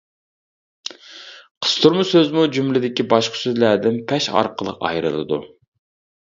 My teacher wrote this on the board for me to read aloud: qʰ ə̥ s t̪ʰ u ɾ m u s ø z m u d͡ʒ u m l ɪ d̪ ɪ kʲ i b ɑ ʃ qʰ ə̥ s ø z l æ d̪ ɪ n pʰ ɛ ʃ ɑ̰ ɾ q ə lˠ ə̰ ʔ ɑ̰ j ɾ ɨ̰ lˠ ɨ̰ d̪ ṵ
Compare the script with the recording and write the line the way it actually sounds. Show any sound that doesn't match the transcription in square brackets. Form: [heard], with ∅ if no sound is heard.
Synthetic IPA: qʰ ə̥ s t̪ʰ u ɾ m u s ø z m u d͡ʒ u m l ɪ d̪ ɪ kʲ i b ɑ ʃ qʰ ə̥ s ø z l æ d̪ ɪ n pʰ ɛ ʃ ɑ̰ ɾ q ə lˠ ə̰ [q] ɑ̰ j ɾ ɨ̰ lˠ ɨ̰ d̪ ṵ